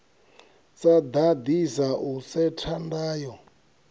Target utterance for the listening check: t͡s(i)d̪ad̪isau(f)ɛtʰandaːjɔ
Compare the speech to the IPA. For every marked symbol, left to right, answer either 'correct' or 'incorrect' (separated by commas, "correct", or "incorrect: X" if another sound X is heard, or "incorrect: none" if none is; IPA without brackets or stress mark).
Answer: incorrect: a, incorrect: s